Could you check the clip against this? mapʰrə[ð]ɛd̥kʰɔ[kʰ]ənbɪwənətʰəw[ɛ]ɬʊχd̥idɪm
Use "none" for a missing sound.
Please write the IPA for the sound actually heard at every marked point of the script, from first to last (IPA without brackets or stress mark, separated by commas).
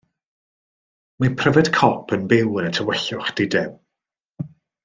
v, pʰ, ɛ